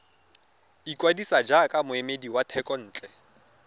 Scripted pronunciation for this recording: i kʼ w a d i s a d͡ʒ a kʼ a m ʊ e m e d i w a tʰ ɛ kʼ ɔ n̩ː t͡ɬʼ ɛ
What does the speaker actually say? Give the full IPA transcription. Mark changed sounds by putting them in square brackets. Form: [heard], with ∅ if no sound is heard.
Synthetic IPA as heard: i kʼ w a d i s a d͡ʒ a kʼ a m ʊ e m e d i w a tʰ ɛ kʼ ɔ n̩ː t͡ɬʼ ɛ